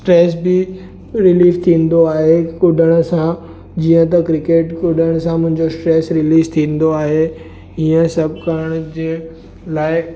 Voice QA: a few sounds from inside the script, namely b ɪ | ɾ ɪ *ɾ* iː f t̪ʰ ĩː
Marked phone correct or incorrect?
incorrect